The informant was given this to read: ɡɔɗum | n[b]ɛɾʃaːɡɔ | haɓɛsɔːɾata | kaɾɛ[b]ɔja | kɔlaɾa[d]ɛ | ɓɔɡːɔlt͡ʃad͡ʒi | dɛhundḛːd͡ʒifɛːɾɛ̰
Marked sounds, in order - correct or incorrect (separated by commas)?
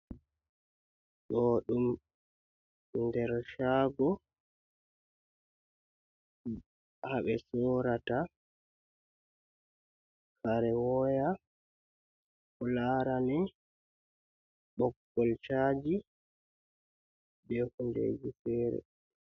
incorrect, incorrect, incorrect